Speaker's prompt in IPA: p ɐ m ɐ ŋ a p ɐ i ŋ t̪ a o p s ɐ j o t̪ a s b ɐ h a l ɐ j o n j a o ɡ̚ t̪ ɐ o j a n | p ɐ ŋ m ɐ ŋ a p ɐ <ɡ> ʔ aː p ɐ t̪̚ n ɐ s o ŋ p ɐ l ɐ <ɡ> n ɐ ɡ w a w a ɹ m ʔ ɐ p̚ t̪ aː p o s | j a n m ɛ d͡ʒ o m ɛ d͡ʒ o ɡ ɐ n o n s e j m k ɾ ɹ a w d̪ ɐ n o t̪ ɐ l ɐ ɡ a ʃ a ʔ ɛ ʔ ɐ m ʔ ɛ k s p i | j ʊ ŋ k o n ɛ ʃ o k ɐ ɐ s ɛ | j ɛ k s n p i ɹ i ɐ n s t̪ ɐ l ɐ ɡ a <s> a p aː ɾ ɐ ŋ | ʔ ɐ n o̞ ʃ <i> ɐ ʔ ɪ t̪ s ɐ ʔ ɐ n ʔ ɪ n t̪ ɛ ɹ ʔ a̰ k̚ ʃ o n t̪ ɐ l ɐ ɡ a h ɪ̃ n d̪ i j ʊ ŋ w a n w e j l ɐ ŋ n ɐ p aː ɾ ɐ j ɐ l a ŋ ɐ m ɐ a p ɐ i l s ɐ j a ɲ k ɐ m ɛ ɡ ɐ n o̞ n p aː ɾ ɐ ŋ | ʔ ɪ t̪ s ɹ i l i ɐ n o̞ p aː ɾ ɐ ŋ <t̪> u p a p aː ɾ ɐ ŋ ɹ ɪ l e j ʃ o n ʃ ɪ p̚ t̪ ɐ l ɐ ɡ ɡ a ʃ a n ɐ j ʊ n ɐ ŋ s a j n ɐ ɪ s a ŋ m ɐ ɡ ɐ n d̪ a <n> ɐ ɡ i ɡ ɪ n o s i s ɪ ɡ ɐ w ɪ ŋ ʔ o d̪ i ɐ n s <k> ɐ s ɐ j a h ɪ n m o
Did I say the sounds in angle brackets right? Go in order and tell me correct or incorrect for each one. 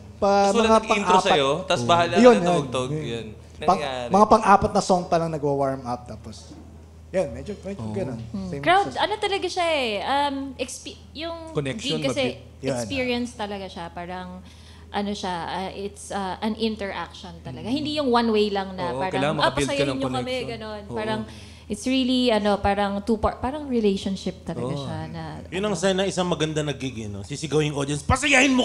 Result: incorrect, incorrect, incorrect, incorrect, correct, correct, incorrect

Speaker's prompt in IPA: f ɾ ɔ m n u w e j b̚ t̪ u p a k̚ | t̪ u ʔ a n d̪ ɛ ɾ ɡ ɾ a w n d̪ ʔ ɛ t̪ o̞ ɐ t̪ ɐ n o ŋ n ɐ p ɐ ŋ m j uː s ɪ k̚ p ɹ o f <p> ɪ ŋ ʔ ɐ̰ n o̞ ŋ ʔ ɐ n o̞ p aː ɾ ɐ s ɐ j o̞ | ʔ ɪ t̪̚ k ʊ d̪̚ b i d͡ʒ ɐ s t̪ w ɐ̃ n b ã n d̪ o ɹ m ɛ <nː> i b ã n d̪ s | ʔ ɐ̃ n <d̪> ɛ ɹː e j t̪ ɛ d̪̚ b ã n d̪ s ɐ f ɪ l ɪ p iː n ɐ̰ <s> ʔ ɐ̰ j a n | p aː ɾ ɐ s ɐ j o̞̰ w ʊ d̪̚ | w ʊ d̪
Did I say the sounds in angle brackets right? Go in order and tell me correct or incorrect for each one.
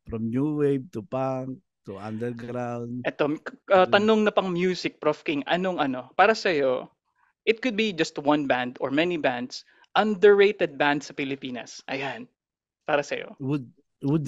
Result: incorrect, incorrect, correct, correct

